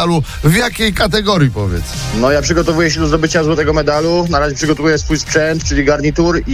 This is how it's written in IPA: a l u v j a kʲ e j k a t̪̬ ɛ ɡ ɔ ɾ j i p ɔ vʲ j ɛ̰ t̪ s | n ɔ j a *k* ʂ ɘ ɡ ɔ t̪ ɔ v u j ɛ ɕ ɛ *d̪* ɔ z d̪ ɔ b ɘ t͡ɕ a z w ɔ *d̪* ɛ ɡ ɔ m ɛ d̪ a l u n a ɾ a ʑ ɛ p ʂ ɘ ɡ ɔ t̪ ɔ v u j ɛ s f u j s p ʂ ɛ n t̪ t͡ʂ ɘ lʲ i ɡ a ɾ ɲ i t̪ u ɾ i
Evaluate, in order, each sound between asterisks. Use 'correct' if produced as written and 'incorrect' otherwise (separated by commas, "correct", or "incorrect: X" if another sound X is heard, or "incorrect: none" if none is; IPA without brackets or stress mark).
incorrect: p, correct, incorrect: t̪